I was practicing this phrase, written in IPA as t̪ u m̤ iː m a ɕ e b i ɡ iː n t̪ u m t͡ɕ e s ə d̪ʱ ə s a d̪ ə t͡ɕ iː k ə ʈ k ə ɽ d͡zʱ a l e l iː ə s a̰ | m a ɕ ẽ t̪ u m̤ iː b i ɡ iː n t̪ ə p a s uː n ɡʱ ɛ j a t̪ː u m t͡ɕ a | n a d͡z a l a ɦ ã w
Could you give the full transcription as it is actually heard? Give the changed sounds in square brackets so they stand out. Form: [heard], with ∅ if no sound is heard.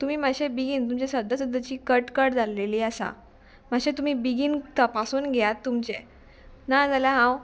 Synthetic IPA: t̪ u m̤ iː m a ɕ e b i ɡ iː n t̪ u m t͡ɕ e s ə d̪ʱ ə s [ə] d̪ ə t͡ɕ iː k ə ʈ k ə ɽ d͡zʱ a l e l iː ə s a̰ | m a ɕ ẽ t̪ u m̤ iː b i ɡ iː n t̪ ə p a s uː n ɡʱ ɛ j a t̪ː u m t͡ɕ [e] | n a d͡z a l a ɦ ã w